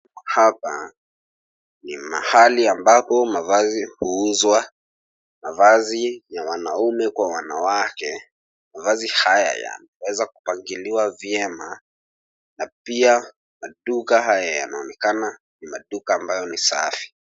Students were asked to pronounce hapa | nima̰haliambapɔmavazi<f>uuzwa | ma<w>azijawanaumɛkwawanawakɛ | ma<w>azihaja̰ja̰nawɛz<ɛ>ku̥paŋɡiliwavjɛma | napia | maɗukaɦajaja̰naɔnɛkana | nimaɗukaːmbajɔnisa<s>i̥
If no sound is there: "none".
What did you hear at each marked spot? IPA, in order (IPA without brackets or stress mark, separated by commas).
h, v, v, a, f